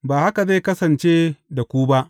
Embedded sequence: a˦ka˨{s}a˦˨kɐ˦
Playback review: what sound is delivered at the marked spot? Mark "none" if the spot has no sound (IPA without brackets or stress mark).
z